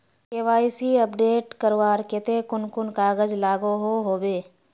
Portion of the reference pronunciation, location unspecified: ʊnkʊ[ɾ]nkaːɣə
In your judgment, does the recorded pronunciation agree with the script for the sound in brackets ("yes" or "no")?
no